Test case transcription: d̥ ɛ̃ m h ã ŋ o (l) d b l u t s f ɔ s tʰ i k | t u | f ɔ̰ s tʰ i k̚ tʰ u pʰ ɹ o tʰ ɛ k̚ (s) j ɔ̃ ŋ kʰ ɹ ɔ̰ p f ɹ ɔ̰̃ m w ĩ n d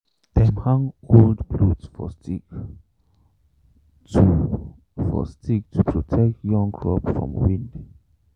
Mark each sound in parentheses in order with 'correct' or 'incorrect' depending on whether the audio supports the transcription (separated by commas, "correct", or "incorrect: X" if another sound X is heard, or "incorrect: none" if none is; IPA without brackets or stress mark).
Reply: correct, incorrect: t